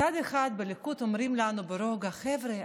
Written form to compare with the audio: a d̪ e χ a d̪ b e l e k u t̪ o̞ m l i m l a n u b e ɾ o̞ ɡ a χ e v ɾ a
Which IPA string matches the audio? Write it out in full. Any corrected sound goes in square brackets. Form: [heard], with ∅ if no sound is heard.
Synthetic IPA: a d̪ e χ a d̪ b e l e k u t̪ o̞ m [ɾ] i m l a n u b e ɾ o̞ ɡ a χ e v ɾ [e]